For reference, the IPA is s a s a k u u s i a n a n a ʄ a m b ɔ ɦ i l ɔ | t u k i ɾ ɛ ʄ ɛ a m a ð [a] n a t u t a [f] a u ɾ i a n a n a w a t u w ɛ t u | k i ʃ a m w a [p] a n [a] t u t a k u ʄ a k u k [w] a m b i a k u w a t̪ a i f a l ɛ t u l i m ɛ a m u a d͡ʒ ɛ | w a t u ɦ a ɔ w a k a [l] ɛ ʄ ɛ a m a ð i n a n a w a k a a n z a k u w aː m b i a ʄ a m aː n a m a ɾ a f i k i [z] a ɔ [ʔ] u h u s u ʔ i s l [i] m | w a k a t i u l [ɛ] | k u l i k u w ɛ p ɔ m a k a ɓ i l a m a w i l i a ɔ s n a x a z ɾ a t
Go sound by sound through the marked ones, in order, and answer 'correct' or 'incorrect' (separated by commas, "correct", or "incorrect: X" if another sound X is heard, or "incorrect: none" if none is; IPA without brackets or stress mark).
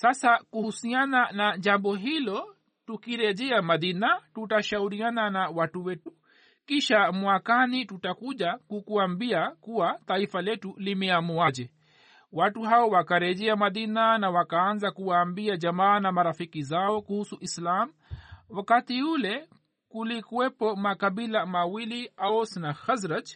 incorrect: i, incorrect: ʃ, incorrect: k, incorrect: i, incorrect: u, incorrect: ɾ, correct, incorrect: k, incorrect: a, correct